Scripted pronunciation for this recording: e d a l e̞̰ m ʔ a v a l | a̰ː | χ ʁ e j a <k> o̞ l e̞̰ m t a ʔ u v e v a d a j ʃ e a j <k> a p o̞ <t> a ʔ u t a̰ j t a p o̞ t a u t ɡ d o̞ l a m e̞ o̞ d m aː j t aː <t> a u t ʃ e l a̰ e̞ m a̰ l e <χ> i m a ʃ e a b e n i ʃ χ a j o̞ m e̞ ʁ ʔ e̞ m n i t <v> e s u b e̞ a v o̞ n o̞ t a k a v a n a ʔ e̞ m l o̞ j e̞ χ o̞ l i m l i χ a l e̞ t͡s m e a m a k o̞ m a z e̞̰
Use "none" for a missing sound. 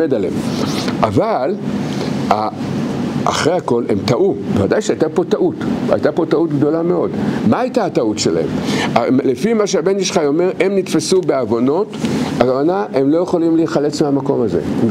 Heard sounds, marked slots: k, t, t, t, f, f

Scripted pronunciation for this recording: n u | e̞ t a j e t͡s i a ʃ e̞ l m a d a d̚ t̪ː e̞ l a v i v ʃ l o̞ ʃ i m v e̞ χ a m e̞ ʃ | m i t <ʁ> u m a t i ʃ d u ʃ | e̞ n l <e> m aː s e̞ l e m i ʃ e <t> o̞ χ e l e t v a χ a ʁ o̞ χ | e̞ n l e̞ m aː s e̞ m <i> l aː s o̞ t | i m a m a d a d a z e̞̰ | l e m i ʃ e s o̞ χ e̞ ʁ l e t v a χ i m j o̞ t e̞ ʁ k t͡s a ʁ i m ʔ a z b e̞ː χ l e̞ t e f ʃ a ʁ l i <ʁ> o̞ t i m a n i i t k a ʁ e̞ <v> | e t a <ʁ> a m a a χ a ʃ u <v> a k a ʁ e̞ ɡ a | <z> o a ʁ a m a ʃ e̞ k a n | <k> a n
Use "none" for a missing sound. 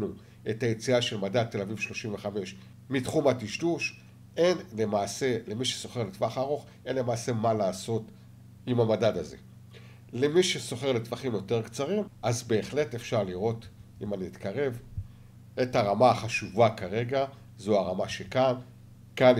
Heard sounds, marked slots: χ, e, s, a, ʁ, v, ʁ, v, z, k

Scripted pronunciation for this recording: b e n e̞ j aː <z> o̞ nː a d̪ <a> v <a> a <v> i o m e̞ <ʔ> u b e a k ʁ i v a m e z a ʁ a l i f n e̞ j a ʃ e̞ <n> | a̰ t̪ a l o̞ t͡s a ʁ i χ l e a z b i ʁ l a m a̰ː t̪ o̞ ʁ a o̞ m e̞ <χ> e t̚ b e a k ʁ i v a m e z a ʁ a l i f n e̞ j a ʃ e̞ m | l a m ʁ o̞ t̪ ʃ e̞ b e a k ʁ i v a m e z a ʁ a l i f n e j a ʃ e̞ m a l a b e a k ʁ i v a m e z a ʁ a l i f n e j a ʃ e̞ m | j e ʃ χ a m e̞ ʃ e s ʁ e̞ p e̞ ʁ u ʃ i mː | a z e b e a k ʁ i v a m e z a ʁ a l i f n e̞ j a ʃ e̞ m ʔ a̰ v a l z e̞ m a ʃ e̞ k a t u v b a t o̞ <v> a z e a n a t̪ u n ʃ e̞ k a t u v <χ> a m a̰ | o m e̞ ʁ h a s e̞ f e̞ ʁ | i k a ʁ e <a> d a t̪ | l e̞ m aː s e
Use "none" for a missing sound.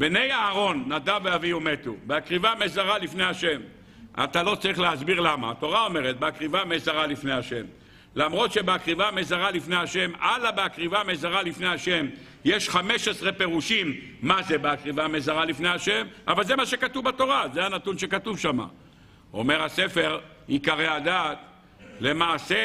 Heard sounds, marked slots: ʁ, a, e, v, t, m, ʁ, ʁ, ʃ, a

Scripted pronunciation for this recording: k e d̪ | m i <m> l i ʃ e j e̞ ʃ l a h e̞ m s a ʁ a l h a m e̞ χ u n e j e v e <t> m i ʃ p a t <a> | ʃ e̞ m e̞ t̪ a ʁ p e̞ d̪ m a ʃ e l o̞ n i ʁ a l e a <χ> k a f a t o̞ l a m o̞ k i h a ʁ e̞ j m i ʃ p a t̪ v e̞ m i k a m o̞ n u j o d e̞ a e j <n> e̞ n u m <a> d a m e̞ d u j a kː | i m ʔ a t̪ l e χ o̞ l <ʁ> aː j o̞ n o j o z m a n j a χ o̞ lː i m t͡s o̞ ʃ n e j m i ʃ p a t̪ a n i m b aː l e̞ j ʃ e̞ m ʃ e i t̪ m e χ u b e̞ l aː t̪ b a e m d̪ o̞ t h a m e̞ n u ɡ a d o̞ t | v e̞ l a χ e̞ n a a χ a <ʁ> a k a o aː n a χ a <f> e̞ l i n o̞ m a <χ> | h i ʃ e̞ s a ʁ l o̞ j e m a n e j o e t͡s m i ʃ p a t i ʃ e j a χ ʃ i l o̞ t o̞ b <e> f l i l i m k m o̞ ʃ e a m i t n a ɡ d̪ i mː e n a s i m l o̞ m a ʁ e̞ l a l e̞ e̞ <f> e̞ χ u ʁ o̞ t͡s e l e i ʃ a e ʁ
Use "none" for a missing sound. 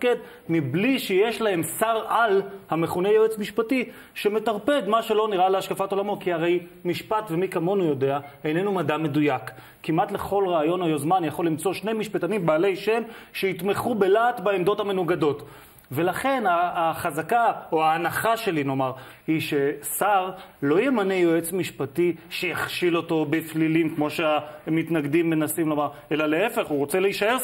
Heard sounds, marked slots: b, t͡s, i, ʃ, n, a, ʁ, z, ʃ, ʁ, e, f

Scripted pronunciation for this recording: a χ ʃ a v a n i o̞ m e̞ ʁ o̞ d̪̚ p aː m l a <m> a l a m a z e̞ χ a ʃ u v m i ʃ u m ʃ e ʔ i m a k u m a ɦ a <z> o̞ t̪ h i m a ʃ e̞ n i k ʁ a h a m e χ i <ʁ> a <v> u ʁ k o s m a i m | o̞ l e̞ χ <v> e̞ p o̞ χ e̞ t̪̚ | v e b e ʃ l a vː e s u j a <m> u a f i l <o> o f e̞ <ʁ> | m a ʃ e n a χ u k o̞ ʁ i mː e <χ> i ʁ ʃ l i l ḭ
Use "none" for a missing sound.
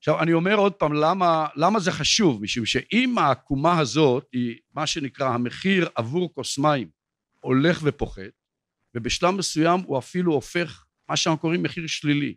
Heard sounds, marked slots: m, z, ʁ, v, v, m, u, χ, χ

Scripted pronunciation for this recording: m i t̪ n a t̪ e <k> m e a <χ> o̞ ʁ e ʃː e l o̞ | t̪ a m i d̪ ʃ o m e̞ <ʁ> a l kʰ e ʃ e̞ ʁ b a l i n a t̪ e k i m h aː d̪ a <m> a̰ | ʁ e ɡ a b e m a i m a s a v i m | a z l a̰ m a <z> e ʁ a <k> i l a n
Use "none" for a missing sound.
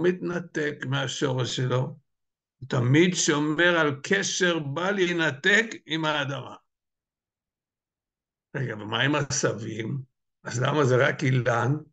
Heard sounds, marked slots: k, ʃ, ʁ, m, z, k

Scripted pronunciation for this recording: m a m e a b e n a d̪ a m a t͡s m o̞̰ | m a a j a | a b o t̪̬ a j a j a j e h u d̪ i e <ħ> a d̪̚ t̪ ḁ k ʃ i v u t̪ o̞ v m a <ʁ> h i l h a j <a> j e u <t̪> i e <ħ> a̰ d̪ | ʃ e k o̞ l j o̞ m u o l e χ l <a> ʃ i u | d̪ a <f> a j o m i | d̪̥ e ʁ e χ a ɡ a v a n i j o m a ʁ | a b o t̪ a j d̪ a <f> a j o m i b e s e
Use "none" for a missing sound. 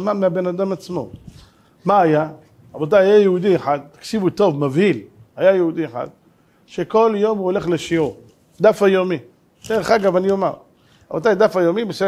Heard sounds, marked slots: ħ, v, a, d̪, ħ, e, f, f

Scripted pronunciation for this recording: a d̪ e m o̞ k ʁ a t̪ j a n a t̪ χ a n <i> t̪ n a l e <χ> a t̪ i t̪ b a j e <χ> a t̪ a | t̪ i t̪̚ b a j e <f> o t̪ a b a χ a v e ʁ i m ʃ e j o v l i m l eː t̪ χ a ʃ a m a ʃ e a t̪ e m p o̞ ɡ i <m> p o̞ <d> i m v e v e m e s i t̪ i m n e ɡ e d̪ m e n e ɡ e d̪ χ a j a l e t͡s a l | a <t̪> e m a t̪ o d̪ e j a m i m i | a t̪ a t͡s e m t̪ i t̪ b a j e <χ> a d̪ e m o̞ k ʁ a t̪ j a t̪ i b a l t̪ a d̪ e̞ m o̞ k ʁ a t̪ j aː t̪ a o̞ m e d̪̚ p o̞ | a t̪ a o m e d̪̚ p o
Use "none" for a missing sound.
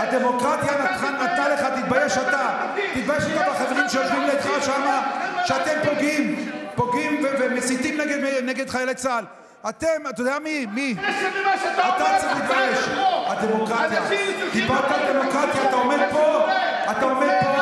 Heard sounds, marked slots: a, χ, ʃ, ʃ, m, ɡ, t̪, ʃ

